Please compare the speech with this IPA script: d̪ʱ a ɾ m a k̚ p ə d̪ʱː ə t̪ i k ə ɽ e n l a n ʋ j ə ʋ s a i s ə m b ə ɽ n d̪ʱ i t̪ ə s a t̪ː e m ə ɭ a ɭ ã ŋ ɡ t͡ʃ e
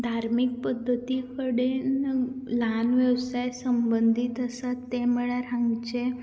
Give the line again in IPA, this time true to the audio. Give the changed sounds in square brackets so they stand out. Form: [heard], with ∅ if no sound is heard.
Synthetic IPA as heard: d̪ʱ a ɾ m [i] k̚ p ə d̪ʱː ə t̪ i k ə ɽ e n l a n ʋ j ə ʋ s a [j] s ə m b ə [∅] n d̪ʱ i t̪ ə s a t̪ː e m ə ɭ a [ɾ] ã ŋ ɡ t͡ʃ e